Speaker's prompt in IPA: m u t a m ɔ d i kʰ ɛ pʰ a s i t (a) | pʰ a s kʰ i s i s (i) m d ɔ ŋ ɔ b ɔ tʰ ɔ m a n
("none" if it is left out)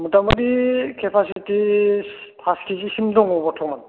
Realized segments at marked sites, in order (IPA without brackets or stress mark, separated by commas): i, i